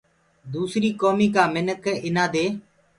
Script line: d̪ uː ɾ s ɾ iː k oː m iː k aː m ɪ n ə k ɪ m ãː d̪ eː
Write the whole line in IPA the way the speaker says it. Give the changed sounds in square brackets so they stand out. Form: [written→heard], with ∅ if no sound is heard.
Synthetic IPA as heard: d̪ uː [ɾ→∅] s ɾ iː k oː m iː k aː m ɪ n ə k ɪ [m→n] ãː d̪ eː